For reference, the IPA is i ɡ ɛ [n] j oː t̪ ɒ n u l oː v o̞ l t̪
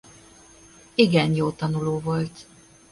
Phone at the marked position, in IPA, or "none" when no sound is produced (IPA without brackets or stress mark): n